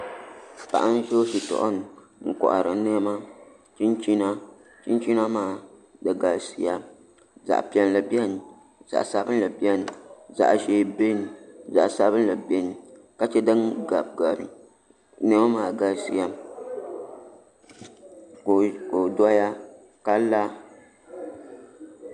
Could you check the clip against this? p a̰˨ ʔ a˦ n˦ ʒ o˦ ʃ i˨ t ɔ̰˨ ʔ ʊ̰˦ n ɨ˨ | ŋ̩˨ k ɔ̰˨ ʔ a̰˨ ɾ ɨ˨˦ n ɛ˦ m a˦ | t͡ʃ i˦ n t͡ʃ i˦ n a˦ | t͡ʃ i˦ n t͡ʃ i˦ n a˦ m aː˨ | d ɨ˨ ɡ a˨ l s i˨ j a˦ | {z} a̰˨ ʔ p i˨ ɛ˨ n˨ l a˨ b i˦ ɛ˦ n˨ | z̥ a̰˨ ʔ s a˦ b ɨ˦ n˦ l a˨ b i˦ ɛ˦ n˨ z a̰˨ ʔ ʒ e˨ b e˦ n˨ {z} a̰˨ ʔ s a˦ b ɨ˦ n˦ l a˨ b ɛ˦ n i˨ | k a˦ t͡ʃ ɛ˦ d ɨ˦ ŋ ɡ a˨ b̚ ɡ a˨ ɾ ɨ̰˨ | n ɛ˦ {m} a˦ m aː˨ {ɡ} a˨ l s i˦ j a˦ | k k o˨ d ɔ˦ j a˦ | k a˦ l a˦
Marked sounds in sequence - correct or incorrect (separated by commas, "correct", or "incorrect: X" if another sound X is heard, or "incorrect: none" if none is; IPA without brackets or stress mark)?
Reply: correct, correct, correct, correct